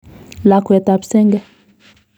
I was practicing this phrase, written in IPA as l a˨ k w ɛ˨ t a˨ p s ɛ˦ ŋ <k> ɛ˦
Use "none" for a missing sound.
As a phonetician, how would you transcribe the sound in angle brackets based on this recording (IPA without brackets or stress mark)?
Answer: ɡ